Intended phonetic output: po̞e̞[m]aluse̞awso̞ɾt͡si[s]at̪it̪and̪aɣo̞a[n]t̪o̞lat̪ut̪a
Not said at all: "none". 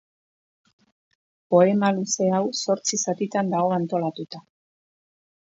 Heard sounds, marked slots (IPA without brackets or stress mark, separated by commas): m, s, n